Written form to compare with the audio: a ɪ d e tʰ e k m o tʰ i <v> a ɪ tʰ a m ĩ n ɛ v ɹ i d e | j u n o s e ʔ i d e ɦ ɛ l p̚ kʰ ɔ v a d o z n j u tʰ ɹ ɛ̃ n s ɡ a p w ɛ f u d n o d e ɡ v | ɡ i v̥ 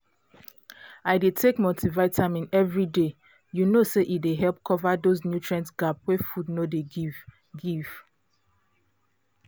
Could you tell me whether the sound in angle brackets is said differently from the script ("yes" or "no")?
no